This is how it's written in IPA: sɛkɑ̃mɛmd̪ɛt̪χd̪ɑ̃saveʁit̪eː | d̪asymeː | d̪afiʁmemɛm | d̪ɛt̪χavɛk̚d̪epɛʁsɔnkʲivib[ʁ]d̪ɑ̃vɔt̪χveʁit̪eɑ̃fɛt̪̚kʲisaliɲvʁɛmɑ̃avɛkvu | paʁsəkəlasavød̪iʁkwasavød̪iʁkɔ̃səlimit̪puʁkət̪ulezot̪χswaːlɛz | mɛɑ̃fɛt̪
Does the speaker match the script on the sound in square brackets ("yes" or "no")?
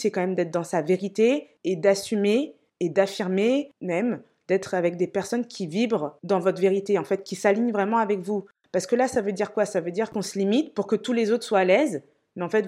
yes